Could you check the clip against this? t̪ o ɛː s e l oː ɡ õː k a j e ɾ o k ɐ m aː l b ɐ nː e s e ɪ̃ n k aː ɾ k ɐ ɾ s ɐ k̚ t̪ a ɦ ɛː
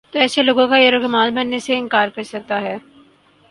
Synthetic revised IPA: t̪ o ɛː s e l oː ɡ õ k a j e ɾ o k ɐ m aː l b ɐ nː e s e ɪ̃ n k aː ɾ k ɐ ɾ s ɐ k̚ t̪ a ɦ ɛː